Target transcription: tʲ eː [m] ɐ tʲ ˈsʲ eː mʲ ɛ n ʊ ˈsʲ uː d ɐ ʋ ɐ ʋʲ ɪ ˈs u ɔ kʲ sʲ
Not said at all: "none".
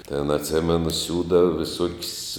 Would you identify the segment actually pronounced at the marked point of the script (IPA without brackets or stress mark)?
n